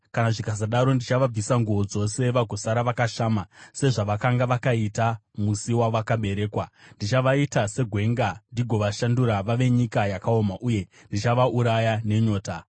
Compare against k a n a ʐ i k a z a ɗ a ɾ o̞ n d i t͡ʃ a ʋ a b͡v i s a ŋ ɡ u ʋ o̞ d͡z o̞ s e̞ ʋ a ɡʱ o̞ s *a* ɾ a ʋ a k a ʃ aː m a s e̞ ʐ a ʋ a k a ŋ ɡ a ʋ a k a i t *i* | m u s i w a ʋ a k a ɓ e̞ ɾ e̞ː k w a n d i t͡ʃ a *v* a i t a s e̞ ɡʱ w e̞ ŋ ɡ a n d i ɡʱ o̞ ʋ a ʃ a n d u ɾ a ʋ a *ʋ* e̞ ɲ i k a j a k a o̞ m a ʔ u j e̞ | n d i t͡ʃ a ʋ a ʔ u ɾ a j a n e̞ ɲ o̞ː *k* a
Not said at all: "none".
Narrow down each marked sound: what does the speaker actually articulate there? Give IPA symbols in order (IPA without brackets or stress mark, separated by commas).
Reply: a, a, ʋ, ʋ, t